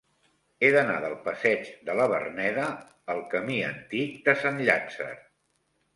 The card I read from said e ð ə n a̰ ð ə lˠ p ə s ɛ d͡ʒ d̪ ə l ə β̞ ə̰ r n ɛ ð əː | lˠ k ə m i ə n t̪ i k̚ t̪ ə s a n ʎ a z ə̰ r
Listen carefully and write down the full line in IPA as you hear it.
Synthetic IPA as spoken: e ð ə n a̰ ð ə lˠ p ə s ɛ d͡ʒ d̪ ə l ə β̞ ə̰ r n ɛ ð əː | lˠ k ə m i ə n t̪ i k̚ d̪ ə s a n ʎ a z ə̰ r